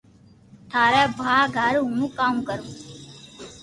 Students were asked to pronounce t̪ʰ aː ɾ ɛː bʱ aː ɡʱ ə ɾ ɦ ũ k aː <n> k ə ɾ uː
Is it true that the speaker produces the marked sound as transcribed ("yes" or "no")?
no